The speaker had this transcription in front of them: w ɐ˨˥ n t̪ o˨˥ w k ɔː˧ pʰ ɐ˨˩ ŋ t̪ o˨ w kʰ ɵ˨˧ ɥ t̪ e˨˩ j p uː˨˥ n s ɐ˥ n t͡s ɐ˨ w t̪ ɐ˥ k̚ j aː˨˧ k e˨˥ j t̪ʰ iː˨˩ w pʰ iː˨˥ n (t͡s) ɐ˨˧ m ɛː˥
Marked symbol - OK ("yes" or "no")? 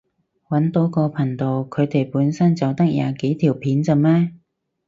yes